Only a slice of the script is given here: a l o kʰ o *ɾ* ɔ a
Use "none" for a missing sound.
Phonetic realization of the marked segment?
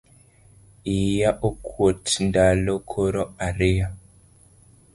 ɾ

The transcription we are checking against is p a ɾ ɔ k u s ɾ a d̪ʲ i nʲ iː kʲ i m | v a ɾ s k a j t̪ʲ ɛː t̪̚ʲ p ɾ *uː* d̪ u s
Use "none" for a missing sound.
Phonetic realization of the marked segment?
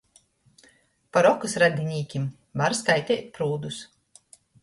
uː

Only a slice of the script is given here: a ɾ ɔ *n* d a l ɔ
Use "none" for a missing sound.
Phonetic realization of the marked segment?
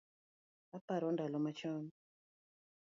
n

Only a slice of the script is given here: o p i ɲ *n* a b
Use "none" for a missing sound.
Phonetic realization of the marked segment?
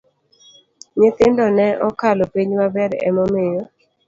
m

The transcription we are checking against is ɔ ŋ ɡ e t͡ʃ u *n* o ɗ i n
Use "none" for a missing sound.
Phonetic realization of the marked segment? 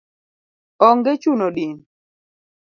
n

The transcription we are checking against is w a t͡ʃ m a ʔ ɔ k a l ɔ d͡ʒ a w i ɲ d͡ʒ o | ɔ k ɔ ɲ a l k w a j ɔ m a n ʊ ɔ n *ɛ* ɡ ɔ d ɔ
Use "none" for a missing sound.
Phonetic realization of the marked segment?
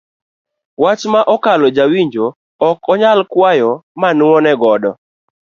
ɛ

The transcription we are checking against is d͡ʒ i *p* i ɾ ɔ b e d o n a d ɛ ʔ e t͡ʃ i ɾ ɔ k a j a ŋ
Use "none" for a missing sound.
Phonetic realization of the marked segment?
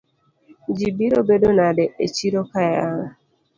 b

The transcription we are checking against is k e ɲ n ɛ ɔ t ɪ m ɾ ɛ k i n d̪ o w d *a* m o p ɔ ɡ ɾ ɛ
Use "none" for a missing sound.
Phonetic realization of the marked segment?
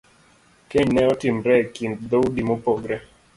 i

